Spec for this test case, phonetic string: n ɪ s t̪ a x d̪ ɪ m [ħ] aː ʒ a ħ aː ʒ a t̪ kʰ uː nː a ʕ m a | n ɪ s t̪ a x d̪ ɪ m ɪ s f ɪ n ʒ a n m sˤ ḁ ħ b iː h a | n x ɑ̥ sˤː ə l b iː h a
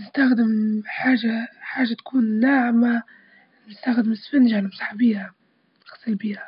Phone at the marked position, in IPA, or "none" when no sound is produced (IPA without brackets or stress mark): ħ